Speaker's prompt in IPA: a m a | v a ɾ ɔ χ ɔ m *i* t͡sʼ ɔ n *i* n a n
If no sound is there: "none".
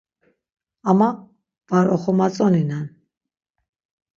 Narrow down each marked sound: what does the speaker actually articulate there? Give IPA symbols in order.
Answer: a, i

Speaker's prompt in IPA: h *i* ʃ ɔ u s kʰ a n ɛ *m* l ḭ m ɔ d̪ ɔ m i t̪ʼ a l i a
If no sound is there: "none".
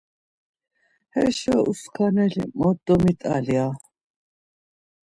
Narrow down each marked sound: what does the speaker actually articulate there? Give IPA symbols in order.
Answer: ɛ, none

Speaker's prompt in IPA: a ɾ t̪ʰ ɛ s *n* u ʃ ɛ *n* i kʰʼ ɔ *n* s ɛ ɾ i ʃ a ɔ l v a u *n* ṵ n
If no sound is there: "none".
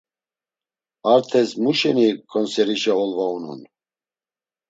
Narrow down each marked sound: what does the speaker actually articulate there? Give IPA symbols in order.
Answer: m, n, n, n

